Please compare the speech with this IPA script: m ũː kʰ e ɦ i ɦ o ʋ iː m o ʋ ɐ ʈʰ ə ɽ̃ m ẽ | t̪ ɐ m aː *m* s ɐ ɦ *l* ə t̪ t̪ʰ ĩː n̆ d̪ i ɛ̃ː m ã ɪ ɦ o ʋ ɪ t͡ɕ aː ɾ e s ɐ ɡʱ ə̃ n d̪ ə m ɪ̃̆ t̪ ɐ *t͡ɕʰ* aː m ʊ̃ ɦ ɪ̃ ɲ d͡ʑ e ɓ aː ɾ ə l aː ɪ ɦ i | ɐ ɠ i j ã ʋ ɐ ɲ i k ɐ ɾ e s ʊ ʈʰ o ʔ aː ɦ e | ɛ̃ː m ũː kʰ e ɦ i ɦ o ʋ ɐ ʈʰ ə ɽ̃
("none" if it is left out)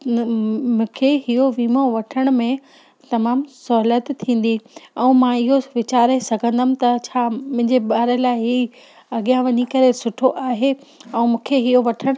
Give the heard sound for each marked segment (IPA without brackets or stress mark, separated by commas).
m, l, t͡ɕʰ